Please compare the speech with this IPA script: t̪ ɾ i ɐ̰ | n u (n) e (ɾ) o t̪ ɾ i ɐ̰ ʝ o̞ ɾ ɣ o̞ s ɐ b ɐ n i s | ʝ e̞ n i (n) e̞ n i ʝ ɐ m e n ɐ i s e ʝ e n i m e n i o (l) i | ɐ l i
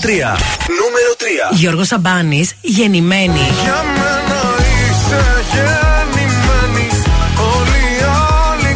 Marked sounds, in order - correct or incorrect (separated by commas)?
incorrect, correct, incorrect, correct